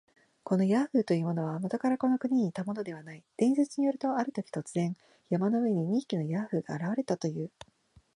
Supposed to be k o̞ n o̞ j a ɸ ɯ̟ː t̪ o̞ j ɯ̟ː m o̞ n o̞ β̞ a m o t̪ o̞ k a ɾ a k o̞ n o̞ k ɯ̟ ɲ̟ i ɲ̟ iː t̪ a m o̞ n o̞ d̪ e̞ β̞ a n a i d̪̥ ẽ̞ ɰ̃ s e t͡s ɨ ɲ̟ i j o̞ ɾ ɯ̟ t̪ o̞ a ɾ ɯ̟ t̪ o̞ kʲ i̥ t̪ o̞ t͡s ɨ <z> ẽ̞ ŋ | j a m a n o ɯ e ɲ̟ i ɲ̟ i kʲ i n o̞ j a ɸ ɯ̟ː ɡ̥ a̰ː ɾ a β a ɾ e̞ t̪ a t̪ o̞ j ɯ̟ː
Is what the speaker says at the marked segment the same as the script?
yes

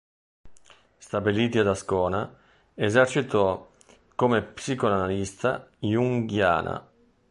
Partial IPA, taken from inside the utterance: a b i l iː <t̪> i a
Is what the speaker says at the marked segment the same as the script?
yes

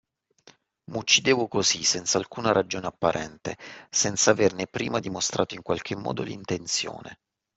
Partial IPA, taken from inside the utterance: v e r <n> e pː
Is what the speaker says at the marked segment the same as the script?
yes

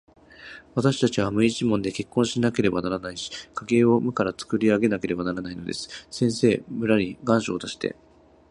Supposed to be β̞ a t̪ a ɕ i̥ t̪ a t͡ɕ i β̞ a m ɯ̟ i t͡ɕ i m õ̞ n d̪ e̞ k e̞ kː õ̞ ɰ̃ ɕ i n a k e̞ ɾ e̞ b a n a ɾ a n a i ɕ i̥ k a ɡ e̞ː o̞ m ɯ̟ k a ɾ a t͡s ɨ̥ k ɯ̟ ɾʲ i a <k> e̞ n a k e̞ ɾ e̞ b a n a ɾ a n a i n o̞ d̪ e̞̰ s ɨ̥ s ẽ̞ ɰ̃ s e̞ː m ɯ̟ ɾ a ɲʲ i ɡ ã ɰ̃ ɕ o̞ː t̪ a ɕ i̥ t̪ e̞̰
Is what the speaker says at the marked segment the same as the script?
no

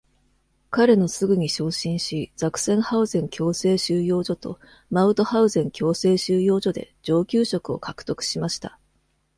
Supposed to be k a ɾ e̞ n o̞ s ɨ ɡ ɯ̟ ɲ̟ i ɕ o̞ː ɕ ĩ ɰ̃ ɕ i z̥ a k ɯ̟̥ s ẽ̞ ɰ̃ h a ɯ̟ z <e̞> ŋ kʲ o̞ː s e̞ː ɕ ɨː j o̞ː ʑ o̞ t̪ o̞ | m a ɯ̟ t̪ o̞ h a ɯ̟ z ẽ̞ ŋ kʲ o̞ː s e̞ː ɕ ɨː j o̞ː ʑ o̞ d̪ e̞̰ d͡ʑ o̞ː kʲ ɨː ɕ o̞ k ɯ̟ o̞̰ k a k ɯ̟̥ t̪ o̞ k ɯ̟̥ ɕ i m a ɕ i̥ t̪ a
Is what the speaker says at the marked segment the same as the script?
no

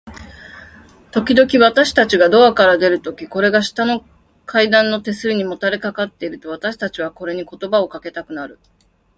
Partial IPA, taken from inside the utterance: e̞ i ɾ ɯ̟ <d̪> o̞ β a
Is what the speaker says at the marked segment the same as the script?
no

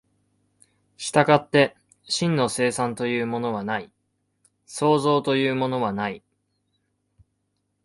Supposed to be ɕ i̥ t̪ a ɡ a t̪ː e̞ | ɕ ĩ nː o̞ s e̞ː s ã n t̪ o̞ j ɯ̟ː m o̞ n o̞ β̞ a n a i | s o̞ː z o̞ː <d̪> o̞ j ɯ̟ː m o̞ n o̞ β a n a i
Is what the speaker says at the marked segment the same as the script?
no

